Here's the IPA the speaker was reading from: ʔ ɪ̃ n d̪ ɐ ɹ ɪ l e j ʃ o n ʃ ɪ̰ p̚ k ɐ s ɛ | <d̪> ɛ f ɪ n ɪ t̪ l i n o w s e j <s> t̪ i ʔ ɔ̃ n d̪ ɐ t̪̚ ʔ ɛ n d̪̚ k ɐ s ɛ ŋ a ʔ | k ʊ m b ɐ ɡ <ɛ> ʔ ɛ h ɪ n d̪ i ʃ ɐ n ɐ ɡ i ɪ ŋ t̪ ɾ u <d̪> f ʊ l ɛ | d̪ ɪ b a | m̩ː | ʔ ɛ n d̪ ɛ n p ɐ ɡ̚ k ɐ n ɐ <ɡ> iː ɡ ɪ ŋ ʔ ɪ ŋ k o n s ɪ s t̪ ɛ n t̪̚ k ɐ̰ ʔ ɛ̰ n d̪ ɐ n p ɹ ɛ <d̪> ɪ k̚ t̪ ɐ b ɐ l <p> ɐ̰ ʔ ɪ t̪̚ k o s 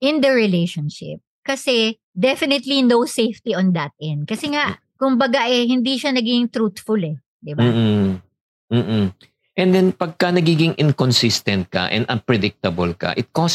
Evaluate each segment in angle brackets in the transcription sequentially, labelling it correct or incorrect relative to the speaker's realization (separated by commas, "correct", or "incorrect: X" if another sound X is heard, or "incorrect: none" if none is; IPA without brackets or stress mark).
correct, incorrect: f, incorrect: a, incorrect: t̪, correct, correct, incorrect: k